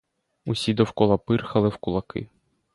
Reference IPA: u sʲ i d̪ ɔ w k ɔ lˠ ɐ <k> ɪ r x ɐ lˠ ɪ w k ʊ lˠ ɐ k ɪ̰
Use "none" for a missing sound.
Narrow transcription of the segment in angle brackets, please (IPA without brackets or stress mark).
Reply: p